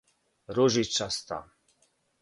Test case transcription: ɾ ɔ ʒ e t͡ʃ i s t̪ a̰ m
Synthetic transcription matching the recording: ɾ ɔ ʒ i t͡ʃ a s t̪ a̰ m